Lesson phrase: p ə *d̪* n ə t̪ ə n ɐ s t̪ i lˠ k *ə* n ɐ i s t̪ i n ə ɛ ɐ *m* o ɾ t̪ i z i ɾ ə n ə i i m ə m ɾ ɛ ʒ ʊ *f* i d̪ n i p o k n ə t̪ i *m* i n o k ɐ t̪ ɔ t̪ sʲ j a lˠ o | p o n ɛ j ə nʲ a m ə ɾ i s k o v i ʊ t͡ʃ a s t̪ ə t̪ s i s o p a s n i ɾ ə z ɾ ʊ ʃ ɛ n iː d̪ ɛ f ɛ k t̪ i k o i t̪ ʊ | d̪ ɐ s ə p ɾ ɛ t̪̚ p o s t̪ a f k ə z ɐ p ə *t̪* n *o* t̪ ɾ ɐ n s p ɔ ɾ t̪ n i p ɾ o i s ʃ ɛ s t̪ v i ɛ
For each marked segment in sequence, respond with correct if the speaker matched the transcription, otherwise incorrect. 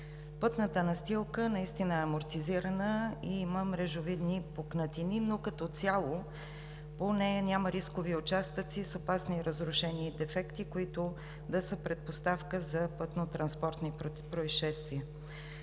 incorrect: t̪, correct, correct, incorrect: v, incorrect: n, correct, correct

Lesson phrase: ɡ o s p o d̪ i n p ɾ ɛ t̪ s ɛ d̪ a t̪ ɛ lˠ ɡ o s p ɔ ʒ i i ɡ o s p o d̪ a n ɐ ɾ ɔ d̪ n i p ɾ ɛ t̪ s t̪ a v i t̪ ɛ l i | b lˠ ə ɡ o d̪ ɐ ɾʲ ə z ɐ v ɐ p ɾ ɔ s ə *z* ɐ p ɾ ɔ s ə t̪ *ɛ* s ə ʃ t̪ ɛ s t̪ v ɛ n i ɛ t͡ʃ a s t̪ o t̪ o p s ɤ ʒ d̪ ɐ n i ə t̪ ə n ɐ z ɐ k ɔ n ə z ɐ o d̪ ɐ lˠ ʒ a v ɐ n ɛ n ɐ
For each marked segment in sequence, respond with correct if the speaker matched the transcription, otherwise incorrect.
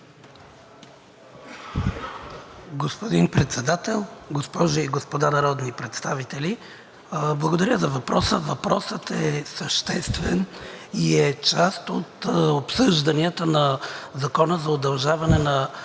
incorrect: v, correct

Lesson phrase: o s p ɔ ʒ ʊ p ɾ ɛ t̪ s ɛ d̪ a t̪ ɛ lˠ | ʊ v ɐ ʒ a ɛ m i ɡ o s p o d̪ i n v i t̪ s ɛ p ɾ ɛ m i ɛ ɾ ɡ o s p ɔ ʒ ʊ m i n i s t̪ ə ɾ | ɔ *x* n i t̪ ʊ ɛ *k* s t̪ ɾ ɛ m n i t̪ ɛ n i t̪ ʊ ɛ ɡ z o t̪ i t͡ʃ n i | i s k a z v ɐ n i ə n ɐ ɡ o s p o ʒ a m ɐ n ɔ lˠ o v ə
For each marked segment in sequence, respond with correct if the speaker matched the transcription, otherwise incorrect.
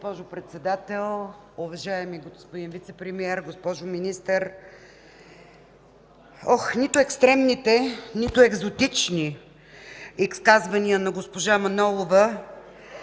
correct, correct

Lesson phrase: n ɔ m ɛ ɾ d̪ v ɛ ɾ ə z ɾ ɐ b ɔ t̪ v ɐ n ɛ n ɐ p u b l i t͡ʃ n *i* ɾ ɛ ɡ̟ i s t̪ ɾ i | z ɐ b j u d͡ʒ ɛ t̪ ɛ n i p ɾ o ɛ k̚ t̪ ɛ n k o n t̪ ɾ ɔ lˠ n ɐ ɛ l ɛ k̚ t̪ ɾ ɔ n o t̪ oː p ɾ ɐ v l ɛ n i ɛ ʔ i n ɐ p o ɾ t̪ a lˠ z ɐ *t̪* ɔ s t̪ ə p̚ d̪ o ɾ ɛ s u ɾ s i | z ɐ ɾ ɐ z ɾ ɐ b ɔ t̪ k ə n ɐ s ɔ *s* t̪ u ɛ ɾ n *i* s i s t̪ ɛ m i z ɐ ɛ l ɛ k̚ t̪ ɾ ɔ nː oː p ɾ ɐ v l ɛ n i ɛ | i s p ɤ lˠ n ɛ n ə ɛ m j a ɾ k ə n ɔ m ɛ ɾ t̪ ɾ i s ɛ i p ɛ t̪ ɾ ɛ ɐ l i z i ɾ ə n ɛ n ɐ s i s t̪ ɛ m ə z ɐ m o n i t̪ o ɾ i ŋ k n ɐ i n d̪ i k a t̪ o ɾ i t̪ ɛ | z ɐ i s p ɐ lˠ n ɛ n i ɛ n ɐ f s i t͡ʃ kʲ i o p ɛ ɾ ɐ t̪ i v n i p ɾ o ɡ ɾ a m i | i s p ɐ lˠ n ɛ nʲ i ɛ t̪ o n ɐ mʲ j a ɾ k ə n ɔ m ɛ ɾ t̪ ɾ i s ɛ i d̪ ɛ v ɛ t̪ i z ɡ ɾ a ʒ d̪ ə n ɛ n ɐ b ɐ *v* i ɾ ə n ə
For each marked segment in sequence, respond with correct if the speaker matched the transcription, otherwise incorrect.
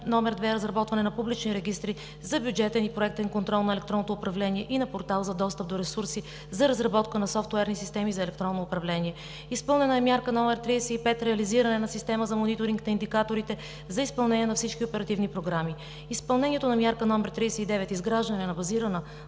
correct, incorrect: d̪, incorrect: f, correct, incorrect: z

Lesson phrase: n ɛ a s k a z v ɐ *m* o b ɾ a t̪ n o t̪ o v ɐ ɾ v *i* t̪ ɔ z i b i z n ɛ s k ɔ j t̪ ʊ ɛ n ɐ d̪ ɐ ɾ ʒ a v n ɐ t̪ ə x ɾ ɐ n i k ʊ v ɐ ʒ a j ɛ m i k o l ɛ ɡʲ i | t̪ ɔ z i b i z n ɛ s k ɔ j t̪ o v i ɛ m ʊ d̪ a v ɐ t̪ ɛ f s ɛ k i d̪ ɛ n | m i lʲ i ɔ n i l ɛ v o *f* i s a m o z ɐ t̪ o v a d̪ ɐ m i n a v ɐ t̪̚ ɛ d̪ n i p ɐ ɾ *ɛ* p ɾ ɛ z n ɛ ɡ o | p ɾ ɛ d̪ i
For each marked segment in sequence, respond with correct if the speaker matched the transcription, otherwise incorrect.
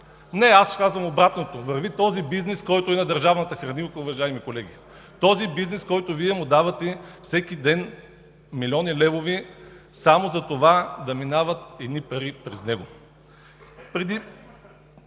correct, correct, incorrect: v, incorrect: i

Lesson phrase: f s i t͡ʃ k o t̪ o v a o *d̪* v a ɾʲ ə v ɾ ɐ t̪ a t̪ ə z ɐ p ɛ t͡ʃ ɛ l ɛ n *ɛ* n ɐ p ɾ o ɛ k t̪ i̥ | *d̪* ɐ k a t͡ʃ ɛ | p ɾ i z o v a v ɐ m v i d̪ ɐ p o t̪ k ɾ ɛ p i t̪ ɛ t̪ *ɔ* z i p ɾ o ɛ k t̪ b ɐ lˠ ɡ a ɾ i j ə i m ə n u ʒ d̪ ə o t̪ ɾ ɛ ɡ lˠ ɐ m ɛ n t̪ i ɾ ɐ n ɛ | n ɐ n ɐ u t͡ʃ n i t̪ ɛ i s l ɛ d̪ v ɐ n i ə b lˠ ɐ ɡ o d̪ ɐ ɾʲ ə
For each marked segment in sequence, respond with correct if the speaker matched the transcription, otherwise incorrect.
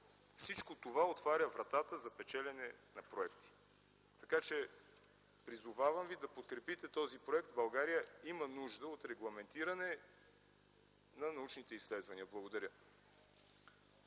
incorrect: t̪, correct, incorrect: t̪, correct

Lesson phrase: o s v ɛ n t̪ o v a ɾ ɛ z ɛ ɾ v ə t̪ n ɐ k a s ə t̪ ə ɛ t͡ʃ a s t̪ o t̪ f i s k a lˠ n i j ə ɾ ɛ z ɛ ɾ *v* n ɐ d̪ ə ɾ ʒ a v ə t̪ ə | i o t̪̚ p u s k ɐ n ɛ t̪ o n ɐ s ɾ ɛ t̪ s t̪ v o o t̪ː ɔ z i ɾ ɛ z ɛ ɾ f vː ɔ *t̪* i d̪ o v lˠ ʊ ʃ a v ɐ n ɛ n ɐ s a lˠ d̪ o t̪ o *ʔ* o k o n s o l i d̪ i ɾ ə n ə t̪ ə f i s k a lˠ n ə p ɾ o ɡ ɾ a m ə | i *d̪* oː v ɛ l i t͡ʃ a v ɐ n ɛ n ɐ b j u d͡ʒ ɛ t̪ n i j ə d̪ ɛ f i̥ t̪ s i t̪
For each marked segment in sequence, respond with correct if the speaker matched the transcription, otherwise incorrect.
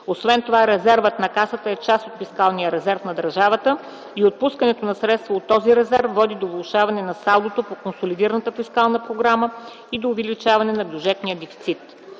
incorrect: f, incorrect: d̪, incorrect: p, correct

